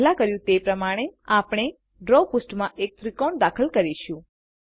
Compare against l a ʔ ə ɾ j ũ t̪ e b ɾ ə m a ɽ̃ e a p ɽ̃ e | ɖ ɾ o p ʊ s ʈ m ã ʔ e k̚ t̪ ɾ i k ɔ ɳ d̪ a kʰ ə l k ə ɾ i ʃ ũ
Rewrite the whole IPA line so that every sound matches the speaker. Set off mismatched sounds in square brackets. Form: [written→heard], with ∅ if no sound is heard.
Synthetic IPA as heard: l a [ʔ→k] ə ɾ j ũ t̪ e [b→p] ɾ ə m a ɽ̃ e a p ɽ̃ e | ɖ ɾ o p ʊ s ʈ m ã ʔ e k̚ t̪ ɾ i k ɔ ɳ d̪ a kʰ ə l k ə ɾ i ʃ ũ